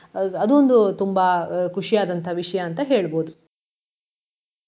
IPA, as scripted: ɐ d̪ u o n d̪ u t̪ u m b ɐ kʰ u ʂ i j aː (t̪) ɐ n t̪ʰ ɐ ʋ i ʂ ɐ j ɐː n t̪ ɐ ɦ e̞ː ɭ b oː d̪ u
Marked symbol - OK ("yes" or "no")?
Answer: no